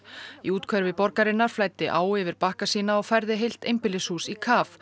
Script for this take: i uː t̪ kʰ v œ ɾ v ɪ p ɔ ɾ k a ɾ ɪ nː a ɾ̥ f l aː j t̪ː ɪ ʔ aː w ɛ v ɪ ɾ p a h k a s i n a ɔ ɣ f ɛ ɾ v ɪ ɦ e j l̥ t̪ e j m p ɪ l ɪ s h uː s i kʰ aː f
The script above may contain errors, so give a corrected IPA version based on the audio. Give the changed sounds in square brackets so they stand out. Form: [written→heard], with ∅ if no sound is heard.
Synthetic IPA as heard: i uː t̪ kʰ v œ ɾ v ɪ p ɔ ɾ k a ɾ ɪ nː a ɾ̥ f l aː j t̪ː ɪ ʔ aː w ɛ v ɪ ɾ p a h k a s [i→iː] n a ɔ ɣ f ɛ ɾ [v→ð] ɪ ɦ e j l̥ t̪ e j m p ɪ l ɪ s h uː s i kʰ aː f